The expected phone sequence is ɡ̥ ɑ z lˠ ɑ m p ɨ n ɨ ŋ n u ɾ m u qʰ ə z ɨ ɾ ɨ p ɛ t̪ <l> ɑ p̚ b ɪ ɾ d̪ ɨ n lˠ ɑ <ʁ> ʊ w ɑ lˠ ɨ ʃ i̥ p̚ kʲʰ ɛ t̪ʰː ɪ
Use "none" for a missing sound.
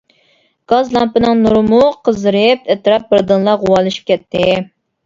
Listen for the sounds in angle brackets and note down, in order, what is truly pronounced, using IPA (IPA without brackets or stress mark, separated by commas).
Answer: ɾ, ʁ